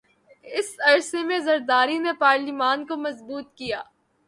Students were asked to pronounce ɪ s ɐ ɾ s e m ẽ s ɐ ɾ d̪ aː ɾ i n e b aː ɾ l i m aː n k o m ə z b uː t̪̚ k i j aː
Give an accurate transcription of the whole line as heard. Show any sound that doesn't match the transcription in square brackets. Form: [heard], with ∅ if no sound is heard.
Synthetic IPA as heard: ɪ s ɐ ɾ s e m ẽ [z] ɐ ɾ d̪ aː ɾ i n e [p] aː ɾ l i m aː n k o m [ɐ] z b uː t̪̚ k i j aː